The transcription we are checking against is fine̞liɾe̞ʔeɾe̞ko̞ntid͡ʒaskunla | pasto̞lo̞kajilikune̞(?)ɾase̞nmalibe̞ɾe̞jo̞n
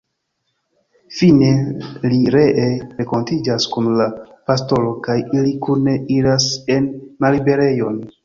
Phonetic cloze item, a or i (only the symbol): i